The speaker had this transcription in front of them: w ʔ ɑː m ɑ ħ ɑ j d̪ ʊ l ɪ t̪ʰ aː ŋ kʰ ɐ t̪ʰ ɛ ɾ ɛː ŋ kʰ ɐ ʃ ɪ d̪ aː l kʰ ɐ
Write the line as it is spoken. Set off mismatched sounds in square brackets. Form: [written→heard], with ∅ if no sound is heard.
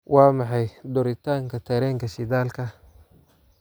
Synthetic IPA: w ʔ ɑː m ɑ ħ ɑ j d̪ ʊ [l→ɾ] ɪ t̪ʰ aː ŋ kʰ ɐ t̪ʰ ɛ ɾ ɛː ŋ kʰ ɐ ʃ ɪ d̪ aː l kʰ ɐ